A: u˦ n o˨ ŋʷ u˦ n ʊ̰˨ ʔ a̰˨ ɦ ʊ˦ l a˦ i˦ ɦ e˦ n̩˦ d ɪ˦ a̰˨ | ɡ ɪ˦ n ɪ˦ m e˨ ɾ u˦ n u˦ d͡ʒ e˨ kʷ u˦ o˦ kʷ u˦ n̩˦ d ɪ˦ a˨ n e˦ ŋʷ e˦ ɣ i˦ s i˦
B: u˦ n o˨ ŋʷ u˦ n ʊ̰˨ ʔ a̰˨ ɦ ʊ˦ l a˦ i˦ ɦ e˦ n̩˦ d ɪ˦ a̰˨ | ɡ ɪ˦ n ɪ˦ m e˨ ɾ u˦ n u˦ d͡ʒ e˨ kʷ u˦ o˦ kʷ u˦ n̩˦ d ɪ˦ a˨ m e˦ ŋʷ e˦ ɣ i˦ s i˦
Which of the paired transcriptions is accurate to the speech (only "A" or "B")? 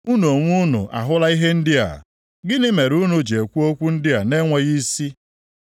A